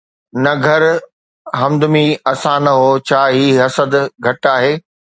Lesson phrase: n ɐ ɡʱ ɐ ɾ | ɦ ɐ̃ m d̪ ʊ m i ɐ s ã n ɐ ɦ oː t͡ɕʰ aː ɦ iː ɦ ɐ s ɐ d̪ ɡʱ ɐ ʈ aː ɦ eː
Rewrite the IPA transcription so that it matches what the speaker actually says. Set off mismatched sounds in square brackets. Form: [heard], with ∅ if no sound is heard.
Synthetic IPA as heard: n ɐ ɡʱ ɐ ɾ | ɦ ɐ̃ m d̪ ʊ m i ɐ s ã n ɐ ɦ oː t͡ɕʰ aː ɦ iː ɦ ɐ s [ə] d̪ ɡʱ ɐ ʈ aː ɦ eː